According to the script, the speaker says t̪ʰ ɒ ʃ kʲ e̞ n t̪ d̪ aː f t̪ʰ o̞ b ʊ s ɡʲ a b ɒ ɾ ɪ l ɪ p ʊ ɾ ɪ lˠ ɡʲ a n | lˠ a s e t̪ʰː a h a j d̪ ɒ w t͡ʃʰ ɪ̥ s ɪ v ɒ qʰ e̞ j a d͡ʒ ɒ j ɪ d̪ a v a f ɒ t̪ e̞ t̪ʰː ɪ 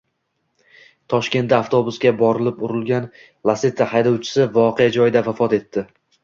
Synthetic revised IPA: t̪ʰ ɒ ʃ kʲ e̞ n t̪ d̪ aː f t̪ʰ o̞ b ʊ s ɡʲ a b ɒ ɾ ɪ l ɪ p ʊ ɾ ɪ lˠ ɡʲ a n | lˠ a s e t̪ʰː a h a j d̪ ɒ w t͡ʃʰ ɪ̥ s ɪ v ɒ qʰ e̞ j a d͡ʒ ɒ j ɪ d̪ a v a f ɒ t̪ e̞ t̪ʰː ɪ